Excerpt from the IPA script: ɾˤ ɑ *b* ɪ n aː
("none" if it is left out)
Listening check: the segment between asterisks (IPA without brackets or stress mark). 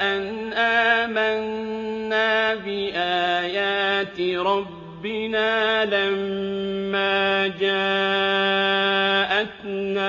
bː